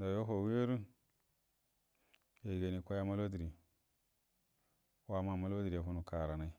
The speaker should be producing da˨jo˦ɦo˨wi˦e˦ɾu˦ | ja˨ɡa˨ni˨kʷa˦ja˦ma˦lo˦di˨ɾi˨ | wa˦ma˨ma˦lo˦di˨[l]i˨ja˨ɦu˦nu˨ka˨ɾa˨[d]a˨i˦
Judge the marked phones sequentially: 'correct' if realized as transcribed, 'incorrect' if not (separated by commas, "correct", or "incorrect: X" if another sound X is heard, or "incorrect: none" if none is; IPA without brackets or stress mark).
incorrect: ɾ, incorrect: n